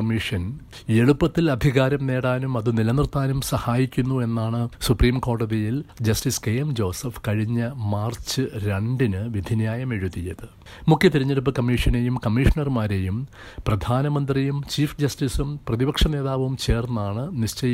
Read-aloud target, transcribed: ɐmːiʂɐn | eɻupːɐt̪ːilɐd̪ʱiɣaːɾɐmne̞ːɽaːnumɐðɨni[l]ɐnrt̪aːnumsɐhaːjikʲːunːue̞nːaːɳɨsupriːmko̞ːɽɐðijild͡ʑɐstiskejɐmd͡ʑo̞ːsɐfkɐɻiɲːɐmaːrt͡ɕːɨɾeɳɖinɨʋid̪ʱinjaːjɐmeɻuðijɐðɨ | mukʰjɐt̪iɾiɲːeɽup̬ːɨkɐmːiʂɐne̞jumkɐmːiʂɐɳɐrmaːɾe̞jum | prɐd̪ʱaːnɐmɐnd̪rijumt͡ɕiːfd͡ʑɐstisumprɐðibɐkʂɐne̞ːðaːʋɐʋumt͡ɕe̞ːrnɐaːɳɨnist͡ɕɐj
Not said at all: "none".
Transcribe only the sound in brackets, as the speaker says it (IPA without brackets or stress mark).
l